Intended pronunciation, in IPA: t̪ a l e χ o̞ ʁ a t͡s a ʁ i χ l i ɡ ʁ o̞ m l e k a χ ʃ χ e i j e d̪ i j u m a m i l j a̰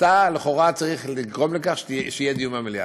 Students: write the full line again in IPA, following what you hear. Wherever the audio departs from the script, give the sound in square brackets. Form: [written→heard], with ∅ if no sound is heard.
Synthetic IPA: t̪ a l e χ o̞ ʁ a t͡s a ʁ i χ l i ɡ ʁ o̞ m l e k a χ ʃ [χ→ʃ] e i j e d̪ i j u m a m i l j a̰